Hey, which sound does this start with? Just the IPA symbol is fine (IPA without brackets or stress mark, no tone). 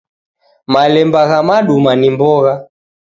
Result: m